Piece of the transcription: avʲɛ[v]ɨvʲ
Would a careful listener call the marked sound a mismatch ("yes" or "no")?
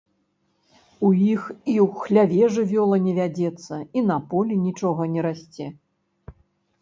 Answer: yes